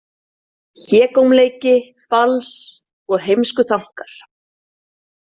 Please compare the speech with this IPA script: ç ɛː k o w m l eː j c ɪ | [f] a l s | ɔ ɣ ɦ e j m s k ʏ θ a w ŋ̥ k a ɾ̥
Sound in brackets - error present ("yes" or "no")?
no